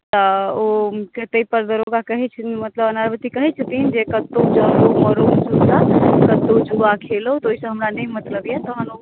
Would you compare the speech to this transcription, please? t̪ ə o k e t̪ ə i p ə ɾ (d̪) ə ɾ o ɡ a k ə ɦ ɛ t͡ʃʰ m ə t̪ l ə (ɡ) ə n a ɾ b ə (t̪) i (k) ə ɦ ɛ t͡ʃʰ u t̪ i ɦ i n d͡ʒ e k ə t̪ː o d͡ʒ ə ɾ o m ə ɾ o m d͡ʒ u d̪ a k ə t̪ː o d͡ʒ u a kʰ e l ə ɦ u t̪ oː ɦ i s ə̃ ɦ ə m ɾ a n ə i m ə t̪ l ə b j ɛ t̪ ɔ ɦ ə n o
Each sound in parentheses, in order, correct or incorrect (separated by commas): correct, incorrect, correct, correct